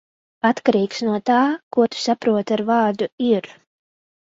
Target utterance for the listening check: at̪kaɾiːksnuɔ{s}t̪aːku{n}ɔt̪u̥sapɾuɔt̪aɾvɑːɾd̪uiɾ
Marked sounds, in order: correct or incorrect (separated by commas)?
incorrect, incorrect